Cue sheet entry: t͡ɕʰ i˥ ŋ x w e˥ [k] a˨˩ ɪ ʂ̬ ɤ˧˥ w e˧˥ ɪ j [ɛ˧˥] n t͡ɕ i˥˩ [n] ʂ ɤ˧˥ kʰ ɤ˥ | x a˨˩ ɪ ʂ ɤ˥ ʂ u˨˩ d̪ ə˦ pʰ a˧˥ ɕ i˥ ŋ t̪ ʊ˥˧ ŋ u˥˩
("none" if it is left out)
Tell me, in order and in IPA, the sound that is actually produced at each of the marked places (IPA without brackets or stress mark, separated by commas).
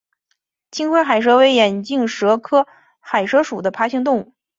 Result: x, ɛ˨˩, ŋ